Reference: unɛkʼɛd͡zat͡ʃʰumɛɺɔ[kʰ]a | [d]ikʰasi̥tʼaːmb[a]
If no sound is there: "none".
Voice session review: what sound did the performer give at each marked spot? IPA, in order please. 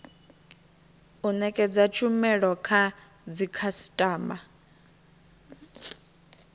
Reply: kʰ, d͡z, a

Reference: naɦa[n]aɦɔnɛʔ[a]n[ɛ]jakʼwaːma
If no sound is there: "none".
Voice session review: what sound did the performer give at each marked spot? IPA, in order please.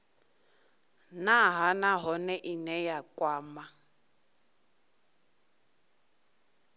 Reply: n, i, ɛ

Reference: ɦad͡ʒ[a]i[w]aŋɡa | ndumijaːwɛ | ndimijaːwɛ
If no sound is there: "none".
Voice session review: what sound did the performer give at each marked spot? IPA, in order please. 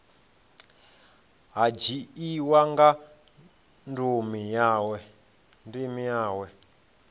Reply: i, w

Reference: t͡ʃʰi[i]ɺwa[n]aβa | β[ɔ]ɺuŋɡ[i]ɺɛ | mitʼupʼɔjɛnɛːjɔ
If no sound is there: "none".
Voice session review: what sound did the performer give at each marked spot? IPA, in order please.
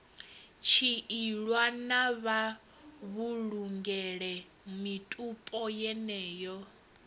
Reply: i, n, u, ɛ

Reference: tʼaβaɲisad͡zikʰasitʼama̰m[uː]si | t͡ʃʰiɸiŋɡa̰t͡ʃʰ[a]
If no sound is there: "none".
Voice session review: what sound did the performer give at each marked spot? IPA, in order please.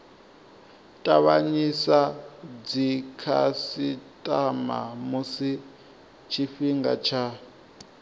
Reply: u, a

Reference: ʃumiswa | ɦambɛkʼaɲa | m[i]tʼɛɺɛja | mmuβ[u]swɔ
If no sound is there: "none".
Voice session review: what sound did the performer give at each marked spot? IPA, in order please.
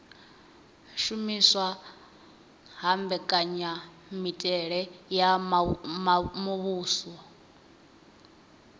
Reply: i, uː

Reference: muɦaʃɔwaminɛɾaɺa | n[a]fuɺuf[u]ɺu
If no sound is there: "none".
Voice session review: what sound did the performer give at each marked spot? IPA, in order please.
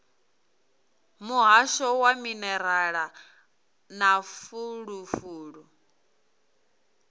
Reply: a, uː

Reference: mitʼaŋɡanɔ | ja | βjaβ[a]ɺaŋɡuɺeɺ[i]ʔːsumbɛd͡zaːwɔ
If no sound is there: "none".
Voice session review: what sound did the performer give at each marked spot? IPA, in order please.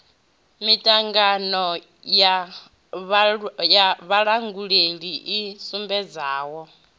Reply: a, i

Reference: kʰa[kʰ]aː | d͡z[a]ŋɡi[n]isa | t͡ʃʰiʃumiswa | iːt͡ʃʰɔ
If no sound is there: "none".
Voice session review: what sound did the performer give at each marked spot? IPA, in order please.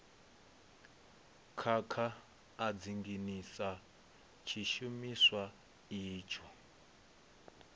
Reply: kʰ, i, n

